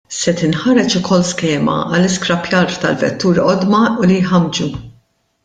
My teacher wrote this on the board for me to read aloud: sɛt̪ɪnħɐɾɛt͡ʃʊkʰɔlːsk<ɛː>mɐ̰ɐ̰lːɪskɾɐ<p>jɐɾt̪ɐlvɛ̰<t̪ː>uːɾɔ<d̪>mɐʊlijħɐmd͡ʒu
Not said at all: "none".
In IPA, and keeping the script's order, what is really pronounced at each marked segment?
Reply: ɛː, p, t̪ː, d̪

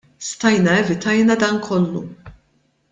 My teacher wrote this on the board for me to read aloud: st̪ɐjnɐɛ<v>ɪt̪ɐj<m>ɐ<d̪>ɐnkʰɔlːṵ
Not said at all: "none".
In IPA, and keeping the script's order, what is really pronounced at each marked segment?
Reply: v, n, d̪

